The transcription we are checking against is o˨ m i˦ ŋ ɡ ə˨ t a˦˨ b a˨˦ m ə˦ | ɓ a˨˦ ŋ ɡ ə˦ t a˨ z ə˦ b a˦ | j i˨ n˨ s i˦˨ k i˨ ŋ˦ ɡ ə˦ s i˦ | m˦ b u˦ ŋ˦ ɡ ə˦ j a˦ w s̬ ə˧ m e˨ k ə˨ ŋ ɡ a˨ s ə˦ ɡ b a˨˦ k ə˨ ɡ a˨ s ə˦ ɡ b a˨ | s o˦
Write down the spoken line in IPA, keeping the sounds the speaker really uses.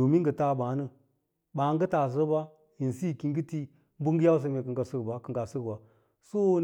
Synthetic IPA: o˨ m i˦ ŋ ɡ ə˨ t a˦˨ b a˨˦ n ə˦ | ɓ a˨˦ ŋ ɡ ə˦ t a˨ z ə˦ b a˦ | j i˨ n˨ s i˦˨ k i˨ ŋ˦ ɡ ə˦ t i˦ | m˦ b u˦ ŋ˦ ɡ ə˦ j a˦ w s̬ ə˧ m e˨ k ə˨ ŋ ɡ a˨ s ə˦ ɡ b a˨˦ k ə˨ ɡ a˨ s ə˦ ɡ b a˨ | s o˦

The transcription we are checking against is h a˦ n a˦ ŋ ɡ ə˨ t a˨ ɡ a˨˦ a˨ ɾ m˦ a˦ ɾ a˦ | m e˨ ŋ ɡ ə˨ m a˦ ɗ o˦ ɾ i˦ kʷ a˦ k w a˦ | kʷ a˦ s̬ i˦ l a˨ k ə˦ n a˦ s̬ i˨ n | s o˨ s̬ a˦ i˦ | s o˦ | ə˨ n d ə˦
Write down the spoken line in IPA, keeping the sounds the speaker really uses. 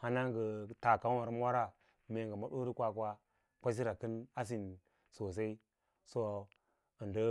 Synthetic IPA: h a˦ n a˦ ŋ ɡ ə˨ t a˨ k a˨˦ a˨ ɾ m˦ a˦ ɾ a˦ | m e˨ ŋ ɡ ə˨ m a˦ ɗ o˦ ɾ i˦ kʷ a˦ k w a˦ | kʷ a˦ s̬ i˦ ɾ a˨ k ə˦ n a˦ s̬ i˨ n | s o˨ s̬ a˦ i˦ | s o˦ | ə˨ n d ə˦

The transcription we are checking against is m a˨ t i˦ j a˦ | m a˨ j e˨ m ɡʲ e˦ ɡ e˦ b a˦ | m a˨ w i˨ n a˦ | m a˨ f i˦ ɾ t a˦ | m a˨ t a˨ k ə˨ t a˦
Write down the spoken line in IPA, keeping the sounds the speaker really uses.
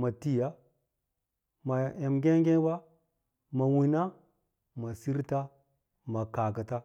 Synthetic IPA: m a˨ t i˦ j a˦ | m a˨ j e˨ m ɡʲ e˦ ɡ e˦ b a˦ | m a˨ w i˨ n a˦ | m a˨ s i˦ ɾ t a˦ | m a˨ k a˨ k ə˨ t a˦

